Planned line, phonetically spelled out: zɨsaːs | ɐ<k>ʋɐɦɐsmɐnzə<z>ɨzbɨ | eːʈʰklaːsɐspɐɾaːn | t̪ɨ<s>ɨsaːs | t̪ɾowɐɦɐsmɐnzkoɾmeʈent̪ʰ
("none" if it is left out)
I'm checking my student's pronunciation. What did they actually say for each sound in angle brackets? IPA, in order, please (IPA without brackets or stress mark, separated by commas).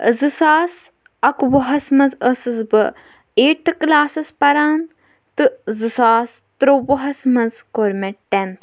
k, s, z